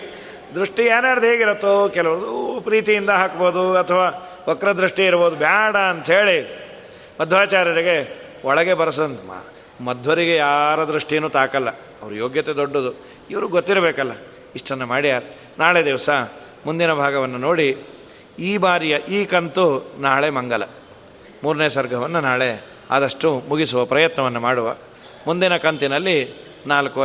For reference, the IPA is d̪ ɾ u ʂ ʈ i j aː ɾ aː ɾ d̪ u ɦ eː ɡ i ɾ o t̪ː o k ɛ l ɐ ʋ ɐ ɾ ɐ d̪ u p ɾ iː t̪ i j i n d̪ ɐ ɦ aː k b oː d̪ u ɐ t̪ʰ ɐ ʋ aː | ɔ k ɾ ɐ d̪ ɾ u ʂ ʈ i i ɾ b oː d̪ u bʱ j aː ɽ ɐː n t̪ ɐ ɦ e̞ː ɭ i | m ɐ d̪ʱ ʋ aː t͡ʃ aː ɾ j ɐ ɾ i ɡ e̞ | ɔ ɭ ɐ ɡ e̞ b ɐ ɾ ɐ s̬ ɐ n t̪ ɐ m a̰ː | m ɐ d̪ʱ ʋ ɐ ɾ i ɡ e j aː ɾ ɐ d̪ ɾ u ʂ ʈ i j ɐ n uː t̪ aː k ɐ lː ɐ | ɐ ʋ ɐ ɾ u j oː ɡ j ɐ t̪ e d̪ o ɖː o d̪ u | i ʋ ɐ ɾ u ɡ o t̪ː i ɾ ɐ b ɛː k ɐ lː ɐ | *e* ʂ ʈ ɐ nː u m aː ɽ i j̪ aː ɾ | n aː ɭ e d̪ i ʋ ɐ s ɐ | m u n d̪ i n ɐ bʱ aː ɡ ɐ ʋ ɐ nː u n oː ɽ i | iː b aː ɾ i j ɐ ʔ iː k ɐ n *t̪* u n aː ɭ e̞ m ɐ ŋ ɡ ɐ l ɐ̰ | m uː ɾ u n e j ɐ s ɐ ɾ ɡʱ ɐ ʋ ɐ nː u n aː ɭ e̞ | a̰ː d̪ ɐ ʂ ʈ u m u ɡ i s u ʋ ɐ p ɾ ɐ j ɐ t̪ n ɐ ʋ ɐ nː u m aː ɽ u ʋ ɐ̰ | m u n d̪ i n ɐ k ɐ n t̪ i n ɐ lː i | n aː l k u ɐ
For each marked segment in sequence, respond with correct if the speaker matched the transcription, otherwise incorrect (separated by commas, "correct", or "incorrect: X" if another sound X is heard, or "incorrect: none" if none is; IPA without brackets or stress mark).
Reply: incorrect: i, correct